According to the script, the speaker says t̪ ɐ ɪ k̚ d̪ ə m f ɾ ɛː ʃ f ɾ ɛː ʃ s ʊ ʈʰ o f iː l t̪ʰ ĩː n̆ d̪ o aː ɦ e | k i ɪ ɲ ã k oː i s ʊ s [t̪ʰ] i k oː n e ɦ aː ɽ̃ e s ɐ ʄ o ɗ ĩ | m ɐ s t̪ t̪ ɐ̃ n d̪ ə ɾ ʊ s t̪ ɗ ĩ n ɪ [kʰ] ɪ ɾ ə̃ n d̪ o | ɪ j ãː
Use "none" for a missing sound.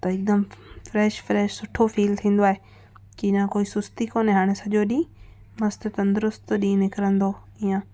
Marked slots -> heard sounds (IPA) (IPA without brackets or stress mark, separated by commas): t̪, k